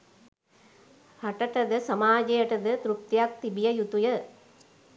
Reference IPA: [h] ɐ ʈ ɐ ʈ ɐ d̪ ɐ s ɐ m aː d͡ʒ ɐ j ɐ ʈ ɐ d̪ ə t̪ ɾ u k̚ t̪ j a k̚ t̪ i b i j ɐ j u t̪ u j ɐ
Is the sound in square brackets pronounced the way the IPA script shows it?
yes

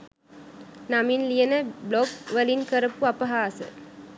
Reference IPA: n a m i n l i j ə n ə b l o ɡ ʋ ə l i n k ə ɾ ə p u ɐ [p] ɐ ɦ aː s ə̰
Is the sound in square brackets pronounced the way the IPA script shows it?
yes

